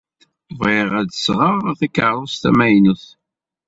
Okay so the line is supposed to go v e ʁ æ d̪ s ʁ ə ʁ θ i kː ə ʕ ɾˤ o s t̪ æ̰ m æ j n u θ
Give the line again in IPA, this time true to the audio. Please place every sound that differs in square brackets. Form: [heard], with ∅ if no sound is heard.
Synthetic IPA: v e ʁ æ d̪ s ʁ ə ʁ θ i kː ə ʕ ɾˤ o s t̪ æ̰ m æ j n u θ